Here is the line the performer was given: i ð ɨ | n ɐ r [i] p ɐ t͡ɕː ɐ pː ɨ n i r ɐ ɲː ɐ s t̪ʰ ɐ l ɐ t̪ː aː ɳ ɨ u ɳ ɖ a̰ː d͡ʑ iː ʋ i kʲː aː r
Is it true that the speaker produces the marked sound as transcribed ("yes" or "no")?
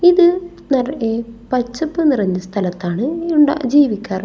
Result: no